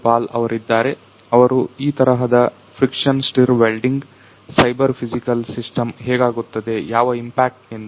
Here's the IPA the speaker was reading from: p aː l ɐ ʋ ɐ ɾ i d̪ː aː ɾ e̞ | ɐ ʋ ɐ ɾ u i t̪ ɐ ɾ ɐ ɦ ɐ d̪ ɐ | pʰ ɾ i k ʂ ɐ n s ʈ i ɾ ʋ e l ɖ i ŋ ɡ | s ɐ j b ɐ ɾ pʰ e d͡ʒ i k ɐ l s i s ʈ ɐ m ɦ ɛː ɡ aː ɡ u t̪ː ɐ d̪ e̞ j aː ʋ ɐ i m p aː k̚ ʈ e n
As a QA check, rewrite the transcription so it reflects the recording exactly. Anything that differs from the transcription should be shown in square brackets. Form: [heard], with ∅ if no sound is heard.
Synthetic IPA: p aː l ɐ ʋ ɐ ɾ i d̪ː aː ɾ e̞ | ɐ ʋ ɐ ɾ u [iː] t̪ ɐ ɾ ɐ ɦ ɐ d̪ ɐ | pʰ ɾ i k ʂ ɐ n s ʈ i ɾ ʋ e l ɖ i ŋ ɡ | s ɐ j b ɐ ɾ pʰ [i] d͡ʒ i k ɐ l s i s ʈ ɐ m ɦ ɛː ɡ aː ɡ u t̪ː ɐ d̪ e̞ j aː ʋ ɐ i m p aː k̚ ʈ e n